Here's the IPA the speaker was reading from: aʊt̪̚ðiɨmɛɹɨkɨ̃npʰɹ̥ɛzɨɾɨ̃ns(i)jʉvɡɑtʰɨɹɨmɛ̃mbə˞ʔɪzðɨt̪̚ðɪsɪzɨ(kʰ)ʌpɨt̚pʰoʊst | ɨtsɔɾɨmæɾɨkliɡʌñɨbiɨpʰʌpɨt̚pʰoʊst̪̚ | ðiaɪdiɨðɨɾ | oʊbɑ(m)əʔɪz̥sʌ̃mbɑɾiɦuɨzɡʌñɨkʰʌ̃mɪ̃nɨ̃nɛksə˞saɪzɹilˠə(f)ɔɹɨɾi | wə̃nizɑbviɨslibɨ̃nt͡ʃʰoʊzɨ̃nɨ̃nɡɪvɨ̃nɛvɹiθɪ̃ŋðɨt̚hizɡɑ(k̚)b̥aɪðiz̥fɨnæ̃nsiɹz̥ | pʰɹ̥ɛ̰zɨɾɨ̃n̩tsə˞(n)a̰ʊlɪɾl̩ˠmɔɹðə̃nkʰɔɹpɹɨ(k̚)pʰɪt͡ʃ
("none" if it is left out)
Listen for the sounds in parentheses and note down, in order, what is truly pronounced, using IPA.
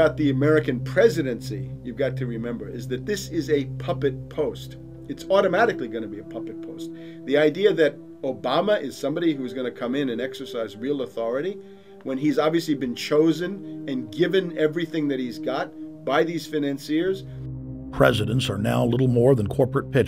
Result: i, pʰ, m, θ, t̚, n, t̚

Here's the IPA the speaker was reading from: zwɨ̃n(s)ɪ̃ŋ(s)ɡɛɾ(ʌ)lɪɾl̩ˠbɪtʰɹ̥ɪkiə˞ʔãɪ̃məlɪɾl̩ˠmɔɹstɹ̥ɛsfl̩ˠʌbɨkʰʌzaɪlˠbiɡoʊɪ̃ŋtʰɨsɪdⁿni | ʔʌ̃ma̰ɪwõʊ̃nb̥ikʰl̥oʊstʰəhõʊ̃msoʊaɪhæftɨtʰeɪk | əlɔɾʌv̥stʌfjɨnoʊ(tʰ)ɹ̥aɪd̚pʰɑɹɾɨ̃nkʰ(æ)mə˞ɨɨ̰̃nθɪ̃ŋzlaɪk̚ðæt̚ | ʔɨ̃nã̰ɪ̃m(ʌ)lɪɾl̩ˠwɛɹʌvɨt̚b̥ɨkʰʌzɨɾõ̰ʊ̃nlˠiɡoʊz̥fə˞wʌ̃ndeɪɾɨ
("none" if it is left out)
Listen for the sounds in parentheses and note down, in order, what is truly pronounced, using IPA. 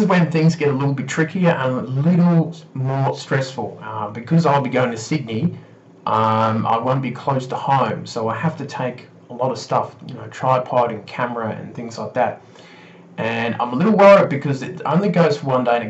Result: θ, z, ə, tʰ, æ, ə

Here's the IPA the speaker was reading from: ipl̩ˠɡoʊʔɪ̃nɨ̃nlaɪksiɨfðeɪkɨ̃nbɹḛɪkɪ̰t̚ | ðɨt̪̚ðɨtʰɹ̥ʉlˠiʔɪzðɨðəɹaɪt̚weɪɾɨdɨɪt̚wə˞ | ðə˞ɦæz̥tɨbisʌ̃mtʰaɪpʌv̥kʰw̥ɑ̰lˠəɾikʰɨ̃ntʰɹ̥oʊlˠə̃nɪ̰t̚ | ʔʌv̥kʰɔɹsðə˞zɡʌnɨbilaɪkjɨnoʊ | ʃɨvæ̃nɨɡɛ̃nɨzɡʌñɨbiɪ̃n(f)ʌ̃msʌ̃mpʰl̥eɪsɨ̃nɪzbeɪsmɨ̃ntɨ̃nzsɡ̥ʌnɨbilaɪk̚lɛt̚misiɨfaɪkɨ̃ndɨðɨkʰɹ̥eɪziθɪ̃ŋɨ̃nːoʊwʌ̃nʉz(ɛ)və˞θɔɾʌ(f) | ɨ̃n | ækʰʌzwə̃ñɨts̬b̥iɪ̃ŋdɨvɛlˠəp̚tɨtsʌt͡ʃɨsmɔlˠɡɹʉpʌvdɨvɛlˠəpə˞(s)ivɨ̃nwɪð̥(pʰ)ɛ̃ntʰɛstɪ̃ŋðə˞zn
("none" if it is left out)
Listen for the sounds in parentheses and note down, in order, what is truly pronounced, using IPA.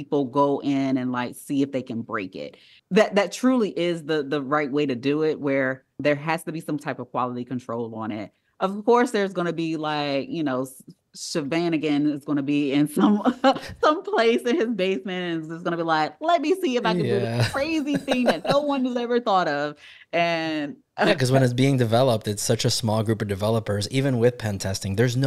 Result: s, ɛ, v, z, pʰ

